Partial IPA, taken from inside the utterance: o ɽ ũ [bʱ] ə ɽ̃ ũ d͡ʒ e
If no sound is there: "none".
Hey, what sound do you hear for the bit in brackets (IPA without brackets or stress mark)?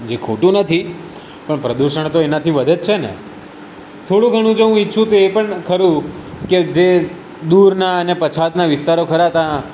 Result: ɡʱ